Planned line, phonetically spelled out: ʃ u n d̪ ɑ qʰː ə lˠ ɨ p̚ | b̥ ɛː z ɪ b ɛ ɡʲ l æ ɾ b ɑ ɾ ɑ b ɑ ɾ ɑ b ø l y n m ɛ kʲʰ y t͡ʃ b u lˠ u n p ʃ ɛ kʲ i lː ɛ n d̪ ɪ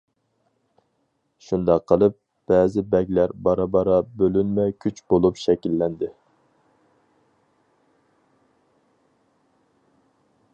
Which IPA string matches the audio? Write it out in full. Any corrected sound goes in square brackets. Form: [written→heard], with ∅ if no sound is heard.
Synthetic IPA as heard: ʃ u n d̪ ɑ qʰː ə lˠ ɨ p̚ | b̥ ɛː z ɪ b ɛ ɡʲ l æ ɾ b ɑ ɾ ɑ b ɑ ɾ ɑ b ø l y n m ɛ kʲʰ y t͡ʃ b [u→o] lˠ u [n→∅] p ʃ ɛ kʲ i lː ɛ n d̪ ɪ